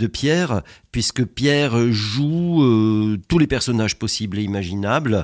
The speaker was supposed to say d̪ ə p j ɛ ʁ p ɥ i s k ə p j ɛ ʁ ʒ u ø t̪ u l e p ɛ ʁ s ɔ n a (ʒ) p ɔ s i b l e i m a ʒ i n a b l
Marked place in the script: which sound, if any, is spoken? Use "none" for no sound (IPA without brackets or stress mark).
ʒ